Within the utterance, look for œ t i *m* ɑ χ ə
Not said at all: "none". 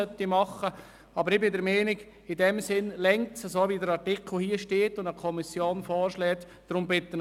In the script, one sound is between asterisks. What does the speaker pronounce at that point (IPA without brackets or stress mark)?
m